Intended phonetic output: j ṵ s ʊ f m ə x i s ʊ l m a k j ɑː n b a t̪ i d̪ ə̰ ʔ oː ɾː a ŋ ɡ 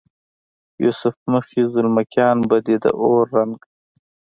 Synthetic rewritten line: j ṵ s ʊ f m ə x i z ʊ l m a k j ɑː n b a d̪ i d̪ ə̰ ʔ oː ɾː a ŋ ɡ